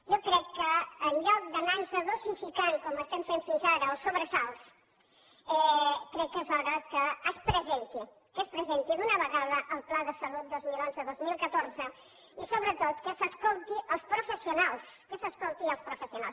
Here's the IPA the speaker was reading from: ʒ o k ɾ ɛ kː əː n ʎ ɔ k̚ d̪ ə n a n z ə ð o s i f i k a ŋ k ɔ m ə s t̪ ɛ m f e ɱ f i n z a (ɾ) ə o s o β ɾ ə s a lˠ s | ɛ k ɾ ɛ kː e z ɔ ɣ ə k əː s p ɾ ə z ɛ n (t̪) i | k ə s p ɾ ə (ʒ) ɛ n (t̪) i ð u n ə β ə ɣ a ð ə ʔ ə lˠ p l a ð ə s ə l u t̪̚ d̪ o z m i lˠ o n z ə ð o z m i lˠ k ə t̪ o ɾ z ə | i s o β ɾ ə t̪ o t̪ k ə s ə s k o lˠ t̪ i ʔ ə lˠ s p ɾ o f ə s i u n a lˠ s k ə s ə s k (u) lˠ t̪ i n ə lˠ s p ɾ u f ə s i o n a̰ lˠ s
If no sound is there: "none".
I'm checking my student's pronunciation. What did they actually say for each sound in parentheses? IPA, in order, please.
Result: ɾ, t̪, z, t̪, o

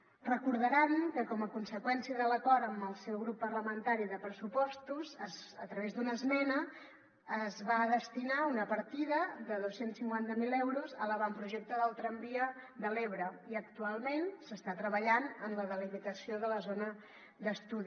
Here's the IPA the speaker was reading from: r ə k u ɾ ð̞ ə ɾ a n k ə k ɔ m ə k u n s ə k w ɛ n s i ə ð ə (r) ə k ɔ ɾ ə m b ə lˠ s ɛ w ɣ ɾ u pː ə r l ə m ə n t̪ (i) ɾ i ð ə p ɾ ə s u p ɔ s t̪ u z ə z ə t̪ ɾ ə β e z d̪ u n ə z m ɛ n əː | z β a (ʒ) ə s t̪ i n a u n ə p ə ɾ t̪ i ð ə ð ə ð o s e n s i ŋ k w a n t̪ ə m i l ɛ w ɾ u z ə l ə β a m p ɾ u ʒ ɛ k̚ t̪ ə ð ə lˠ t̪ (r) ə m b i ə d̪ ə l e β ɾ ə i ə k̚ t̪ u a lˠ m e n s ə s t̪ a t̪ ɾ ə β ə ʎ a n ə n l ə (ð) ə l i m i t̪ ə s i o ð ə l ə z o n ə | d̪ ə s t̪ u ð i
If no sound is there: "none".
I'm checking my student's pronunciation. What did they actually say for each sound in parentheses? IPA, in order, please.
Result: l, a, ð, ɾ, ð

